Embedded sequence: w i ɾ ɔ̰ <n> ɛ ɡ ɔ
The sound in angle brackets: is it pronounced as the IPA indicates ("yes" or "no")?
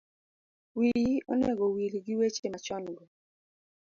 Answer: yes